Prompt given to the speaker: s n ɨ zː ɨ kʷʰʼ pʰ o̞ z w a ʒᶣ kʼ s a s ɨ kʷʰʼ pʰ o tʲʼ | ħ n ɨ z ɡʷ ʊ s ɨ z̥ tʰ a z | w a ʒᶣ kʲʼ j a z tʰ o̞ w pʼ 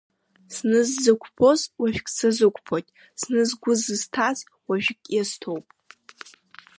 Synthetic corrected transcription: s n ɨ zː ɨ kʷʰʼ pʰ o̞ z w a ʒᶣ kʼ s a z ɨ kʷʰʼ pʰ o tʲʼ | s n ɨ z ɡʷ ʊ z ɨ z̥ tʰ a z | w a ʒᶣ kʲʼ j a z tʰ o̞ w pʼ